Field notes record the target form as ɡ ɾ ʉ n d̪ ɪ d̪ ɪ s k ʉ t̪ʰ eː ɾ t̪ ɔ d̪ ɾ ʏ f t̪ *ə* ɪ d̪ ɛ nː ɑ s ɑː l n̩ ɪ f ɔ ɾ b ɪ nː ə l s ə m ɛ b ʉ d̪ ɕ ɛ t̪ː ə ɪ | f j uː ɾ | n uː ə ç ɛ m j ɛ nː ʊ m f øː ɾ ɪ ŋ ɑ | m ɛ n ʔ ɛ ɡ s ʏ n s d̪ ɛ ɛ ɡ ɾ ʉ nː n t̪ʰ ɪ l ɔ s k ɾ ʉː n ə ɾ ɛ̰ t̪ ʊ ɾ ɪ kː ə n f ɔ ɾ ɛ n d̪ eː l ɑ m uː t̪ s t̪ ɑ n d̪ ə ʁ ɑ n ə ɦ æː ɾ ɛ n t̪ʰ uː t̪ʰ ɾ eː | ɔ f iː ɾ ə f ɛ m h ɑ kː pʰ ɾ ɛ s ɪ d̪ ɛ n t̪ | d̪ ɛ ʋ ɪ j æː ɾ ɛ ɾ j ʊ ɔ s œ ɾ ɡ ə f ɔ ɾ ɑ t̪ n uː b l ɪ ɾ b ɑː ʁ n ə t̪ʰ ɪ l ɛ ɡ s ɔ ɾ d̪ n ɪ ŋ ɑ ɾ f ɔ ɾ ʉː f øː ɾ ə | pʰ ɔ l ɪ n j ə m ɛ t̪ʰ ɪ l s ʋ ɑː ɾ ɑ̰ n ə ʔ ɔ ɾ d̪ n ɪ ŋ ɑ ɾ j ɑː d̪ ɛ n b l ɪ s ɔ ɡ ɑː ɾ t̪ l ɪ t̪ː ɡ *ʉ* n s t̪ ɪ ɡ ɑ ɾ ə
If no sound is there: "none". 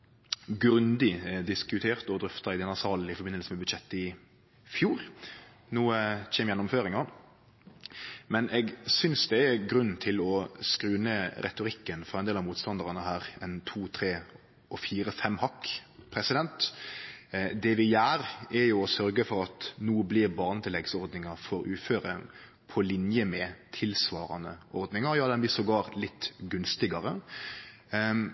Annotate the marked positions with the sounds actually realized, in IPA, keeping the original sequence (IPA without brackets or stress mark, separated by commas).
ɑ, ʉ